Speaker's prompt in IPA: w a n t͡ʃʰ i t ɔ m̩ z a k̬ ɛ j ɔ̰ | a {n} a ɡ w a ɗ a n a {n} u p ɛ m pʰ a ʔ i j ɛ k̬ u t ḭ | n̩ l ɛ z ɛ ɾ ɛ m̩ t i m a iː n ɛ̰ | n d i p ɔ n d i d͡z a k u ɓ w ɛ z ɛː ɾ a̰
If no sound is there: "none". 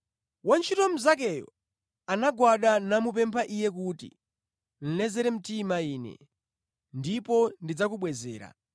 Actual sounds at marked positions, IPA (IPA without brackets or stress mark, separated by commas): n, m